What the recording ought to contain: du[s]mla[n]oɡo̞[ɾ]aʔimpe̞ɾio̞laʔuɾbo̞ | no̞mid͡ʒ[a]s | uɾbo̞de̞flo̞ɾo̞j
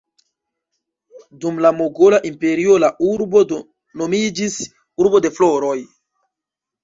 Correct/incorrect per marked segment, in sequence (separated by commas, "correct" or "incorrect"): incorrect, incorrect, incorrect, incorrect